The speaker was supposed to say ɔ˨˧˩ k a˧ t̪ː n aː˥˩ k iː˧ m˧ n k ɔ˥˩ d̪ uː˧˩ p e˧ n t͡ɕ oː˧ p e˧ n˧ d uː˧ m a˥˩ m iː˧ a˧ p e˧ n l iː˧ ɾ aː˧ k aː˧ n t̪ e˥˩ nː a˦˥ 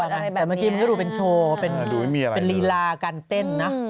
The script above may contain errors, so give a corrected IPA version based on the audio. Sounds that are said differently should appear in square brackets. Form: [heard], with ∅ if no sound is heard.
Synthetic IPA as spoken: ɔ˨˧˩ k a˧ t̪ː [m] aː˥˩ k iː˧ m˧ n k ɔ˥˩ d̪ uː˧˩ p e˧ n [t͡ɕʰ] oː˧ p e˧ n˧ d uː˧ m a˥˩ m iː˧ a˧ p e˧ n l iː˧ [l] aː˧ k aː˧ n t̪ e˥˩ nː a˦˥